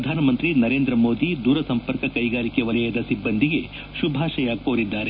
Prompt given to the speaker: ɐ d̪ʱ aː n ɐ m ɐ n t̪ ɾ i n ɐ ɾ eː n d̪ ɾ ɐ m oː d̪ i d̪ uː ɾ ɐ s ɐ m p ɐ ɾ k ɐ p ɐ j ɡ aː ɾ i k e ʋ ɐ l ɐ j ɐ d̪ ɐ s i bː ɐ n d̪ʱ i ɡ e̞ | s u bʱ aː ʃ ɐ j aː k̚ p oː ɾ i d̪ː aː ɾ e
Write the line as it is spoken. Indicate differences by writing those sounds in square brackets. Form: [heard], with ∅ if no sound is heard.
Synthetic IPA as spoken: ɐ d̪ʱ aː n ɐ m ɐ n t̪ ɾ i n ɐ ɾ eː n d̪ ɾ ɐ m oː d̪ i d̪ uː ɾ ɐ s ɐ m p ɐ ɾ k ɐ [k] ɐ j ɡ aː ɾ i k e ʋ ɐ l ɐ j ɐ d̪ ɐ s i bː ɐ n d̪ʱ i ɡ e̞ | [ʃ] u bʱ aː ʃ ɐ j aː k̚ p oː ɾ i d̪ː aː ɾ e